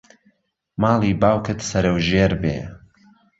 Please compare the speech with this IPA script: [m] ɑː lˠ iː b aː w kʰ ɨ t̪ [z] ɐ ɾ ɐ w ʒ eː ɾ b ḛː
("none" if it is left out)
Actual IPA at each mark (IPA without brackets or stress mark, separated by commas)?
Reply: m, s